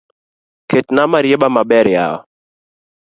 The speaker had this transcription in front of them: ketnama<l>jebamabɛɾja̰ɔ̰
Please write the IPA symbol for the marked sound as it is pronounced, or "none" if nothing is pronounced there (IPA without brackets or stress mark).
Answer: ɾ